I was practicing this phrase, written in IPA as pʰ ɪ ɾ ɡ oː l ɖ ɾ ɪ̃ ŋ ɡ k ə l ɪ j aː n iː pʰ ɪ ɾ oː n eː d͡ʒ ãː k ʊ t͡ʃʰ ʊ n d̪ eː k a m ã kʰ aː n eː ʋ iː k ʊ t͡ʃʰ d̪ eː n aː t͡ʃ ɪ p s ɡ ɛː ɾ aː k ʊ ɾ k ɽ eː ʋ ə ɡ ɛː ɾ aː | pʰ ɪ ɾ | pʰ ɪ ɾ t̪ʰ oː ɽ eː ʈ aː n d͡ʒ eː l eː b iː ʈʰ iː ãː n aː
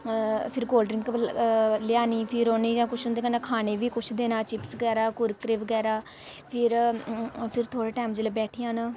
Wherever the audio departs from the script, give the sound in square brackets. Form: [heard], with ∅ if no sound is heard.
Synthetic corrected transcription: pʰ ɪ ɾ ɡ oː l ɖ ɾ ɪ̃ ŋ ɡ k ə l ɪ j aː n iː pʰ ɪ ɾ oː n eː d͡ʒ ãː k ʊ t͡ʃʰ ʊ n d̪ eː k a [n] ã kʰ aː n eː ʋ iː k ʊ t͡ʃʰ d̪ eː n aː t͡ʃ ɪ p s ɡ ɛː ɾ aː k ʊ ɾ k [ɾ] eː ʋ ə ɡ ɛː ɾ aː | pʰ ɪ ɾ | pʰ ɪ ɾ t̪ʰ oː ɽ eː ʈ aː [m] d͡ʒ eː l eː b [ɛː] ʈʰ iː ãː n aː

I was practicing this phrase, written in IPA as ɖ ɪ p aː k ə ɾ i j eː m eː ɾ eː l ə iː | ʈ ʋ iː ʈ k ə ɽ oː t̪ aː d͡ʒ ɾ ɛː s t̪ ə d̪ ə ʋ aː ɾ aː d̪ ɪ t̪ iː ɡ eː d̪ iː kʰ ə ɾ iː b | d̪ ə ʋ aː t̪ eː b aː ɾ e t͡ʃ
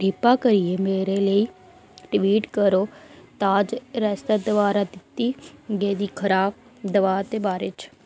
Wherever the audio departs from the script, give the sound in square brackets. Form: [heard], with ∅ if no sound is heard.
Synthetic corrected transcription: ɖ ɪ p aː k ə ɾ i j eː m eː ɾ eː l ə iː | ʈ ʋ iː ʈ k ə [ɾ] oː t̪ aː d͡ʒ ɾ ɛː s t̪ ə d̪ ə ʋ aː ɾ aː d̪ ɪ t̪ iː ɡ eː d̪ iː kʰ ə ɾ [aː] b | d̪ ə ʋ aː t̪ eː b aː ɾ e t͡ʃ

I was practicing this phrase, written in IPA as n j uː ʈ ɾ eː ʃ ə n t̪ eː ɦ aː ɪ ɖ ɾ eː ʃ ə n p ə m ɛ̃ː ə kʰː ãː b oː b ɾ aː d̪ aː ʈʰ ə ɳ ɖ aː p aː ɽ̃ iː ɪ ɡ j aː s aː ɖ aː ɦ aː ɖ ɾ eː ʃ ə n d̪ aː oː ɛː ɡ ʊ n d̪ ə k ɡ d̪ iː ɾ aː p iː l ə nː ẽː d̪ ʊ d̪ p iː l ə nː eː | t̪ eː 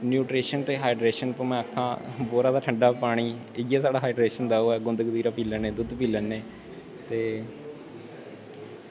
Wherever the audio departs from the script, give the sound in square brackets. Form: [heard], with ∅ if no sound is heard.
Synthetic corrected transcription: n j uː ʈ ɾ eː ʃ ə n t̪ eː ɦ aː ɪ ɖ ɾ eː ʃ ə n p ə m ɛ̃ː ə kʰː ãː b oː [∅] ɾ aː d̪ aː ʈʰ ə ɳ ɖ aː p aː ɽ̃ iː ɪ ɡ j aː s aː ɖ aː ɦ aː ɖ ɾ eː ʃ ə n d̪ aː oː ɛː ɡ ʊ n d̪ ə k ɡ d̪ iː ɾ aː p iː l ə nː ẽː d̪ ʊ d̪ p iː l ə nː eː | t̪ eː

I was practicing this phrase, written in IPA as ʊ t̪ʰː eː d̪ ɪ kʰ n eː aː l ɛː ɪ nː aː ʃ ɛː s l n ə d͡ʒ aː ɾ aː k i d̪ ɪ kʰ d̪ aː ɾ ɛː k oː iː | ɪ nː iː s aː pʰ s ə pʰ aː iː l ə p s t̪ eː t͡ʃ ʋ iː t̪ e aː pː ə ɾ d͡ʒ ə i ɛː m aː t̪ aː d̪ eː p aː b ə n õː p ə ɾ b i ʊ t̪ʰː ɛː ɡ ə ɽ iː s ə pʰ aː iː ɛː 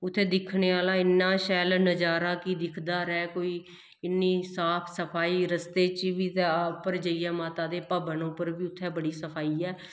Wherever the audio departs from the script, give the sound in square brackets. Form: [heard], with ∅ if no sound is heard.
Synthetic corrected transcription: ʊ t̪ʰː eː d̪ ɪ kʰ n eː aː l [aː] ɪ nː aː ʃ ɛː [∅] l n ə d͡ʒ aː ɾ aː k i d̪ ɪ kʰ d̪ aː ɾ ɛː k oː iː | ɪ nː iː s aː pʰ s ə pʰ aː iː [ɾ] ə [∅] s t̪ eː t͡ʃ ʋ iː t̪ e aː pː ə ɾ d͡ʒ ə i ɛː m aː t̪ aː d̪ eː p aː b ə n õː p ə ɾ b [iː] ʊ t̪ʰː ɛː [b] ə ɽ iː s ə pʰ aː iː ɛː

